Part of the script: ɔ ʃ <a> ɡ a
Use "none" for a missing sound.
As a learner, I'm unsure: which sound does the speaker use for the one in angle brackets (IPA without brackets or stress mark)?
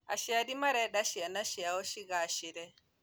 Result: i